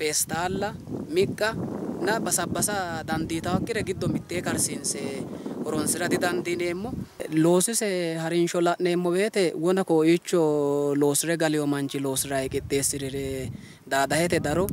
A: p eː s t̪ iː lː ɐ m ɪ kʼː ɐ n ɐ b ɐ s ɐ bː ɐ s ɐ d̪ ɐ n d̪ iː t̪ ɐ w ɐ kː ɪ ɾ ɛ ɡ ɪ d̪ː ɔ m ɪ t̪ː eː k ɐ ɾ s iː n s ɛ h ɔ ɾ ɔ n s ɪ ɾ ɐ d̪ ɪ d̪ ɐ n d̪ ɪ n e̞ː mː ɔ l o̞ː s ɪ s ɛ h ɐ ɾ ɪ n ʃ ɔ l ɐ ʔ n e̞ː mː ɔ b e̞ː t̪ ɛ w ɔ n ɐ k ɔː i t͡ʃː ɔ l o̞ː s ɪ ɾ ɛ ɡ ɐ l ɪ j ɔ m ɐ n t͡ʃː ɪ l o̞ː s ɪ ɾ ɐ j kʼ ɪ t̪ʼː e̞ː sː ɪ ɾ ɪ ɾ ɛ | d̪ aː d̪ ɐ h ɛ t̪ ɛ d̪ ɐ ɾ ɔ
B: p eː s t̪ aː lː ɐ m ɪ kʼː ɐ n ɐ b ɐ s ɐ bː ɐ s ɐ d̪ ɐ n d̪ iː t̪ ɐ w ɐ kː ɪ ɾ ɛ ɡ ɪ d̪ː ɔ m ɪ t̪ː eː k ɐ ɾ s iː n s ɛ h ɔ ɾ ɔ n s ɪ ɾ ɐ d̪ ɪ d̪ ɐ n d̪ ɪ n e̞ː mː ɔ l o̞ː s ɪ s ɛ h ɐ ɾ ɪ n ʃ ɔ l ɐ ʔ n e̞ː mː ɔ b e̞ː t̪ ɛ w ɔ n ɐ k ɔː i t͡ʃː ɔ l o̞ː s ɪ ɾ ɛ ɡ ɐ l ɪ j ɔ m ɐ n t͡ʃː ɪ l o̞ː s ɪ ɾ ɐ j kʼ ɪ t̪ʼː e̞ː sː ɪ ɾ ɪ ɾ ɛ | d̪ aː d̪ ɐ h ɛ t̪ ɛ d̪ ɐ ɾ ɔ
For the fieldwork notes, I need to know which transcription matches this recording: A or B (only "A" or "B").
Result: B